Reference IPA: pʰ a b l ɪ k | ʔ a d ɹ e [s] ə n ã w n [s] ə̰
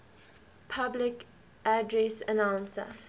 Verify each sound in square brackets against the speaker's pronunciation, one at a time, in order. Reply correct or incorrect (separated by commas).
correct, correct